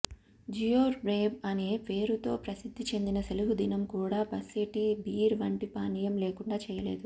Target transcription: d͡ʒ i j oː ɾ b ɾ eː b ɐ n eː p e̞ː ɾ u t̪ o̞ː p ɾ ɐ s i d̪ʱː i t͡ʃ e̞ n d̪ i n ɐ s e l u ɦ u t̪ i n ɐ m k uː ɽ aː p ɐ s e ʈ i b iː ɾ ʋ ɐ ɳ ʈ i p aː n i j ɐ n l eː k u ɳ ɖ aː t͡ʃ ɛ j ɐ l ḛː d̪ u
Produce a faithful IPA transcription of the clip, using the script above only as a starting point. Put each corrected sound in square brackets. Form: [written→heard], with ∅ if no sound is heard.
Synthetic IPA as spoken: d͡ʒ i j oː ɾ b ɾ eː b ɐ n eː p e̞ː ɾ u t̪ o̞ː p ɾ ɐ s i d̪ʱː i t͡ʃ e̞ n d̪ i n ɐ s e l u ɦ u [t̪→d̪] i n ɐ m k uː ɽ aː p ɐ s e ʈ i b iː ɾ ʋ ɐ ɳ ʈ i p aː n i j ɐ [n→m] l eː k u ɳ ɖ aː t͡ʃ [ɛ→ɛː] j ɐ l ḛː d̪ u